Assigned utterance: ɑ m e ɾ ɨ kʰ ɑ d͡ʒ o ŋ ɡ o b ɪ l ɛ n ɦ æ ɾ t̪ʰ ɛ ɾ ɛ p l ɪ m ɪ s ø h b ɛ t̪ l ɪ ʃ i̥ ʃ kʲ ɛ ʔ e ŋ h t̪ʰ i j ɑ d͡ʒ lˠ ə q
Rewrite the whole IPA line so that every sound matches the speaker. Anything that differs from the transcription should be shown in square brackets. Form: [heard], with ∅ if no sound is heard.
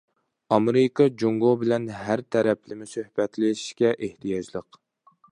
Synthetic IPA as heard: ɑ m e ɾ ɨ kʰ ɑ d͡ʒ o ŋ ɡ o b ɪ l ɛ n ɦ æ ɾ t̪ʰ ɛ ɾ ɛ p l ɪ m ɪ s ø h b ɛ t̪ l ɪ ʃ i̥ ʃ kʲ ɛ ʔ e [∅] h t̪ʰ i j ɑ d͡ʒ lˠ ə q